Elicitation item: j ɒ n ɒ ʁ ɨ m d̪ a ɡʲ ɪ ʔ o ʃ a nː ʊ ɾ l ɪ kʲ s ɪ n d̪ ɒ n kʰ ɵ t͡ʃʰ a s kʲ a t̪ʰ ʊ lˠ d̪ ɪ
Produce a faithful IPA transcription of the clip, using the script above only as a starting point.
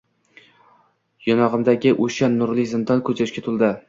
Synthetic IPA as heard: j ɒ n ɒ ʁ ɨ m d̪ a ɡʲ ɪ ʔ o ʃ a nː ʊ ɾ l ɪ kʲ z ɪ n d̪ ɒ n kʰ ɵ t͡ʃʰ a ʃ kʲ a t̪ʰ ʊ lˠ d̪ ɪ